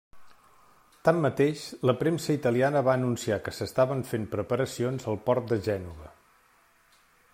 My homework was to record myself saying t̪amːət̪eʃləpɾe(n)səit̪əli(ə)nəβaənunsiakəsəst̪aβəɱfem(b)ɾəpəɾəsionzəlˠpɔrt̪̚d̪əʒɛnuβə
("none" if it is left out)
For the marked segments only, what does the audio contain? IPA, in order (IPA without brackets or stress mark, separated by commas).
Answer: m, a, p